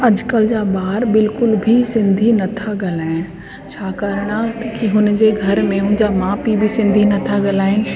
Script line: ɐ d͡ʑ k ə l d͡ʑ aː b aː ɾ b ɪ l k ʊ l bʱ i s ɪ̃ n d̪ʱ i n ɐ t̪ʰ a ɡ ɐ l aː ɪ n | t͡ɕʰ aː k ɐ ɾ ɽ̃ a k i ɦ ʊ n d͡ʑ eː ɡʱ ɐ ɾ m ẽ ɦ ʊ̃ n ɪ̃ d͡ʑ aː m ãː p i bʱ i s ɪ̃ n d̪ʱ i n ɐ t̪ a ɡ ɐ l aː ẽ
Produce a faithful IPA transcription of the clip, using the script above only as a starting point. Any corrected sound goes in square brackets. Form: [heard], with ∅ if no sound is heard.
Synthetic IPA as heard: ɐ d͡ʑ k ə l d͡ʑ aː b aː ɾ b ɪ l k ʊ l bʱ i s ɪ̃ n d̪ʱ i n ɐ t̪ʰ a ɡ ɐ l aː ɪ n | t͡ɕʰ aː k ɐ ɾ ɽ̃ a k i ɦ ʊ n d͡ʑ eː ɡʱ ɐ ɾ m ẽ ɦ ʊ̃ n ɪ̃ d͡ʑ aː m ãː p i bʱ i s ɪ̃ n d̪ʱ i n ɐ [t̪ʰ] a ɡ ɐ l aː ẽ

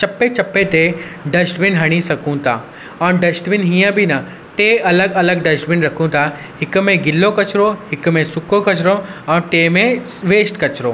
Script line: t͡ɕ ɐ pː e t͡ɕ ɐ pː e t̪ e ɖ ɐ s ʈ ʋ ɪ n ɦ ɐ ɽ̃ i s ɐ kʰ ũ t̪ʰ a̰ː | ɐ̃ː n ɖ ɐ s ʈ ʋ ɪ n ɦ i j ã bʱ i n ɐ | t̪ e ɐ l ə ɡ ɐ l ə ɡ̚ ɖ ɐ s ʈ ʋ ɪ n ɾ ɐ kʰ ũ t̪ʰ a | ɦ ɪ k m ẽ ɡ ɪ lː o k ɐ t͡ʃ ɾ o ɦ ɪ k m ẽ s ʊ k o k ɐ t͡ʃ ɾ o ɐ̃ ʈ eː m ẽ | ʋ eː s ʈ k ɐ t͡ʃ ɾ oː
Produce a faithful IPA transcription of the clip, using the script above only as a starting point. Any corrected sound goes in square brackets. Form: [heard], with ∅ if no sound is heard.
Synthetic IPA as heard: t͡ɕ ɐ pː e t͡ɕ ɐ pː e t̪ e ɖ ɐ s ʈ ʋ ɪ n ɦ ɐ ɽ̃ i s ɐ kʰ ũ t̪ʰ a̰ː | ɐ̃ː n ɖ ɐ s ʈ ʋ ɪ n ɦ i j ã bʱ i n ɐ | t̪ e ɐ l ə ɡ ɐ l ə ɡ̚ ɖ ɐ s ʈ ʋ ɪ n ɾ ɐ kʰ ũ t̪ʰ a | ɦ ɪ k m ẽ ɡ ɪ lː o k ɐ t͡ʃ ɾ o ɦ ɪ k m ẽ s ʊ k o k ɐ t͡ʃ ɾ o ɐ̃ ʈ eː m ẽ | ʋ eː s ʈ k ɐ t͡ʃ ɾ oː

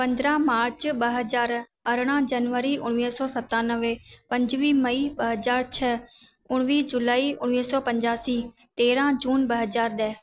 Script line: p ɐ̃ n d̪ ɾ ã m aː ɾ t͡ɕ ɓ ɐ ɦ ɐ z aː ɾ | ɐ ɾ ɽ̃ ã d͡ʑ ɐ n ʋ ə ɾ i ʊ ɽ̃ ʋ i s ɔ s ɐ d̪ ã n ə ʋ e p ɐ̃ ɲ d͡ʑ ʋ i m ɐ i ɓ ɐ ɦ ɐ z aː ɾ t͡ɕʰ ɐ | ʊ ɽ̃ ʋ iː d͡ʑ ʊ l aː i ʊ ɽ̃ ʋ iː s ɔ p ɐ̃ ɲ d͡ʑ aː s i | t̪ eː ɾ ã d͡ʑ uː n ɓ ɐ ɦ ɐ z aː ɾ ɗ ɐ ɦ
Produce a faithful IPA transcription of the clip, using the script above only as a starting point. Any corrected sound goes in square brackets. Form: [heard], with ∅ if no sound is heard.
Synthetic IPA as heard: p ɐ̃ n d̪ ɾ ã m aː ɾ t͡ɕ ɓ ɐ ɦ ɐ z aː ɾ | ɐ ɾ ɽ̃ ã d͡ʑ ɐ n ʋ ə ɾ i ʊ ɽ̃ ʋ i s ɔ s ɐ [t̪] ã n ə ʋ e p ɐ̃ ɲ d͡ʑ ʋ i m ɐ i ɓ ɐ ɦ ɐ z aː ɾ t͡ɕʰ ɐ | ʊ ɽ̃ ʋ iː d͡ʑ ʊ l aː i ʊ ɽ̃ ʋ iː s ɔ p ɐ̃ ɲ d͡ʑ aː s i | t̪ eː ɾ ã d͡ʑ uː n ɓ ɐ ɦ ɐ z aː ɾ ɗ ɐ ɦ

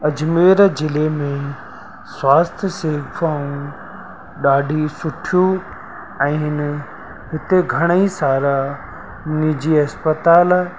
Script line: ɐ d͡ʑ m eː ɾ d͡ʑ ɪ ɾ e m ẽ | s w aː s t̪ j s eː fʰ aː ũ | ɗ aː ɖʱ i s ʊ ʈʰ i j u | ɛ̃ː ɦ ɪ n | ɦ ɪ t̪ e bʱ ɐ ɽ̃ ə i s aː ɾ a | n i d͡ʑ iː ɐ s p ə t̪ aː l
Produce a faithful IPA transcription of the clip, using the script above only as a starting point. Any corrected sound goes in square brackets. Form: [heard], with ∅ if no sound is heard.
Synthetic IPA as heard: ɐ d͡ʑ m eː ɾ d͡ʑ ɪ [l] e m ẽ | s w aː s [t̪ʰ] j s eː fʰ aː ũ | ɗ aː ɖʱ i s ʊ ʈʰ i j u | ɛ̃ː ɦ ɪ n | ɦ ɪ t̪ e [ɡʱ] ɐ ɽ̃ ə i s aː ɾ a | n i d͡ʑ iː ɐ s p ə t̪ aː l

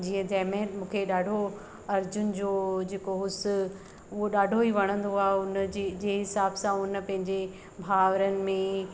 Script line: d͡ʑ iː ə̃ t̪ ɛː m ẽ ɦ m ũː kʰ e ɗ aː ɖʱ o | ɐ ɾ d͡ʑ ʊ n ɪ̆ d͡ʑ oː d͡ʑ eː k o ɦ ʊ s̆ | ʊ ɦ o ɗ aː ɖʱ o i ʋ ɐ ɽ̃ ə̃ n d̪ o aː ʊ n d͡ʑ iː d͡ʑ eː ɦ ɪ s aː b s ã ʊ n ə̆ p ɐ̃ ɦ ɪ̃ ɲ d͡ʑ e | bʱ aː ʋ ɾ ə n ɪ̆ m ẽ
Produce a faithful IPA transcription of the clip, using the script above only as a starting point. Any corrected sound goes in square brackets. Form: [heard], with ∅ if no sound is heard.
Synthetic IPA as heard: d͡ʑ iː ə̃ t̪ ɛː m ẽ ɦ m ũː kʰ e ɗ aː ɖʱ o | ɐ ɾ d͡ʑ ʊ n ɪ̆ d͡ʑ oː d͡ʑ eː k o ɦ ʊ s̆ | ʊ ɦ o ɗ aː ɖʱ o i ʋ ɐ ɽ̃ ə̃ n d̪ o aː ʊ n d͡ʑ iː d͡ʑ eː ɦ ɪ s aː b s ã ʊ n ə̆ p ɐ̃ ɦ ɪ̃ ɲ d͡ʑ e | bʱ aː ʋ ɾ ə n ɪ̆ m ẽ

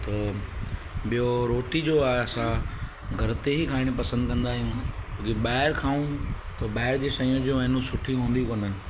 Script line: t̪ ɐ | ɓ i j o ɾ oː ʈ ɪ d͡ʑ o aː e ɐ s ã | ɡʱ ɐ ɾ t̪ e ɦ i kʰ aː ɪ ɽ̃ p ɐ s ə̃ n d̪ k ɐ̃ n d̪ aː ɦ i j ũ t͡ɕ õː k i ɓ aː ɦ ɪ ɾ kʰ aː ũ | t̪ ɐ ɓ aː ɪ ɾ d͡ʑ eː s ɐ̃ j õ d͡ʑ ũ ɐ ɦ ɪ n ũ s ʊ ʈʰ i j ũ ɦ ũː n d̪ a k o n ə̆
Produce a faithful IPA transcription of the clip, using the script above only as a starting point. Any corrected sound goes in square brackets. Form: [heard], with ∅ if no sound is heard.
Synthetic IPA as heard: t̪ ɐ | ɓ i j o ɾ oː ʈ [i] d͡ʑ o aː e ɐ s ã | ɡʱ ɐ ɾ t̪ e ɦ i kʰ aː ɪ ɽ̃ p ɐ s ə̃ n d̪ k ɐ̃ n d̪ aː ɦ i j ũ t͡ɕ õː k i ɓ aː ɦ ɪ ɾ kʰ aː ũ | t̪ ɐ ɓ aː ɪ ɾ d͡ʑ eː s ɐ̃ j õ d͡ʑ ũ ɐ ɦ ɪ n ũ s ʊ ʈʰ i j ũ ɦ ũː n d̪ [i] k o n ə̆

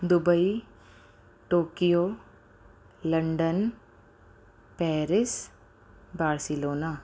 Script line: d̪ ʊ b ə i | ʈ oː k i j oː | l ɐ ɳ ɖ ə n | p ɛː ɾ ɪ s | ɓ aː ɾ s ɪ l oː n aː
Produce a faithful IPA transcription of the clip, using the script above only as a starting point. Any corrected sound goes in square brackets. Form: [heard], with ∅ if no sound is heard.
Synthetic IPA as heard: d̪ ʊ b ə i | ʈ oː k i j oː | l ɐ ɳ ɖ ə n | p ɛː ɾ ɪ s | [b] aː ɾ s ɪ l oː n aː

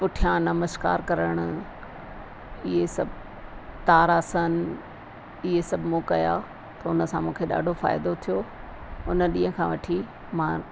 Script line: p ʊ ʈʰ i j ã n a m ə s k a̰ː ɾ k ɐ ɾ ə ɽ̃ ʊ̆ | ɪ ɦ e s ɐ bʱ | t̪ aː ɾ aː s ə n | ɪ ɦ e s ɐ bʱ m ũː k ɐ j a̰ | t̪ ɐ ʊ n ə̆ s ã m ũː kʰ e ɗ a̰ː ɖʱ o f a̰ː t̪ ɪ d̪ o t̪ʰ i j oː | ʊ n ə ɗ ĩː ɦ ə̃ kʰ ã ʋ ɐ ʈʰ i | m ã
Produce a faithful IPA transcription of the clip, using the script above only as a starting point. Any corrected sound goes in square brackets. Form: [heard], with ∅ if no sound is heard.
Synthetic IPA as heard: p ʊ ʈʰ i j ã n [ɐ] m ə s k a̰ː ɾ k ɐ ɾ ə ɽ̃ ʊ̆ | ɪ ɦ e s ɐ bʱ | t̪ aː ɾ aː s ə n | ɪ ɦ e s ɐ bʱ m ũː k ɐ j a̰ | t̪ ɐ ʊ n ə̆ s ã m ũː kʰ e ɗ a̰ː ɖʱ o f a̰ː [∅] ɪ d̪ o t̪ʰ i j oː | ʊ n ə ɗ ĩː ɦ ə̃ kʰ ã ʋ ɐ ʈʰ i | m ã

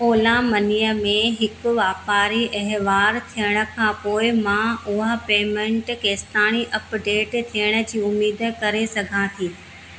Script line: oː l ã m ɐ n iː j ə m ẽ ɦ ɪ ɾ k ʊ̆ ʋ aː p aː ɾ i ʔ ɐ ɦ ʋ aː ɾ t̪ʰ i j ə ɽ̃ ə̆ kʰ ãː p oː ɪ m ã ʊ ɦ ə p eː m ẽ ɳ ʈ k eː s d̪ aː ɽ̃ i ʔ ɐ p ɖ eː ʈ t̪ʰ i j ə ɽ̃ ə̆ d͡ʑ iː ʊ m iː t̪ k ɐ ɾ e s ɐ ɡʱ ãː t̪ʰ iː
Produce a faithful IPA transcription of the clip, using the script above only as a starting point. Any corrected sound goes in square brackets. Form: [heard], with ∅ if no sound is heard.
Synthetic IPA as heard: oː l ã m ɐ n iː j ə m ẽ ɦ ɪ [∅] k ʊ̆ ʋ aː p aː ɾ i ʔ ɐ ɦ ʋ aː ɾ t̪ʰ i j ə ɽ̃ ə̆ kʰ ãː p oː ɪ m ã ʊ ɦ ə p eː m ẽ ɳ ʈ k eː s [t̪] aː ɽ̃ i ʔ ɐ p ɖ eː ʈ t̪ʰ i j ə ɽ̃ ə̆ d͡ʑ iː ʊ m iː [d̪] k ɐ ɾ e s ɐ ɡʱ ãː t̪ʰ iː

